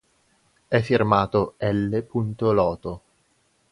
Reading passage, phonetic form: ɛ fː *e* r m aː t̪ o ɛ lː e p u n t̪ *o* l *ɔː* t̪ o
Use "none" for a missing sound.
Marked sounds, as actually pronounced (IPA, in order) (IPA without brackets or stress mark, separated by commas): i, o, ɔː